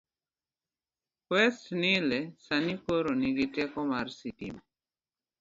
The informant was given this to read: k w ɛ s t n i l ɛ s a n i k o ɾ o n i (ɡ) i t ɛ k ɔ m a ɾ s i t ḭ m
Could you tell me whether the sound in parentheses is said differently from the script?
no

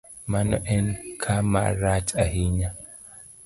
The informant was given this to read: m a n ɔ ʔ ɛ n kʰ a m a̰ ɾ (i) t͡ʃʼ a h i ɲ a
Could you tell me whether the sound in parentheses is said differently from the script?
yes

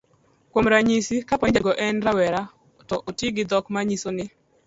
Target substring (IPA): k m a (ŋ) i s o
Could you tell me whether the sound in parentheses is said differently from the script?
yes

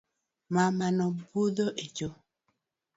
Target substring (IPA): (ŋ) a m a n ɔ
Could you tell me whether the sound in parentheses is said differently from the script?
yes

